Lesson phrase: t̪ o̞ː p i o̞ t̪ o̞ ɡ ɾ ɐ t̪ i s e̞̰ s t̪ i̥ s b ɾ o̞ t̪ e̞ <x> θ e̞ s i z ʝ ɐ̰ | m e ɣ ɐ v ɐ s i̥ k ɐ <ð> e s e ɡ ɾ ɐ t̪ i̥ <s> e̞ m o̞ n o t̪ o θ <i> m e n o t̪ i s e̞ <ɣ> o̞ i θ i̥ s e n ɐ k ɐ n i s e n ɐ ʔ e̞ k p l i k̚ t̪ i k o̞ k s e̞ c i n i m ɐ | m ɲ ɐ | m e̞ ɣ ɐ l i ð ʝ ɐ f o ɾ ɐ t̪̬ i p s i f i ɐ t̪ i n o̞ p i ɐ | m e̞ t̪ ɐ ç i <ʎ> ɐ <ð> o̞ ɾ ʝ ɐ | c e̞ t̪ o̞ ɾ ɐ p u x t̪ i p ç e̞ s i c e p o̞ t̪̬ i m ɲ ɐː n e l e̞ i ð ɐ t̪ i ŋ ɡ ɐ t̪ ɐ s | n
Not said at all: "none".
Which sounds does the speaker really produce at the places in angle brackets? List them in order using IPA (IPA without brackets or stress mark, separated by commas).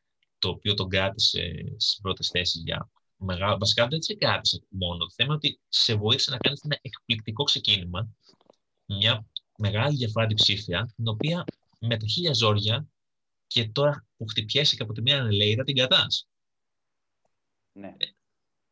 s, ð, s, e, v, ʎ, z